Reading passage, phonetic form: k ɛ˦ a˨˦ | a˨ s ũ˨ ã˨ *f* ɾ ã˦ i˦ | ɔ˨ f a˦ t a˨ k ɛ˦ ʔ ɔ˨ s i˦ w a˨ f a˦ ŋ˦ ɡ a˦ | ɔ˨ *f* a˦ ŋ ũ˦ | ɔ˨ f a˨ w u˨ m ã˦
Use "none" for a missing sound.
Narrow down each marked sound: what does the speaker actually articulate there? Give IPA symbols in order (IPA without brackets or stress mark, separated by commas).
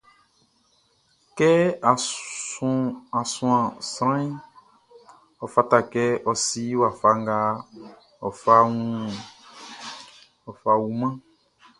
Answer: s, f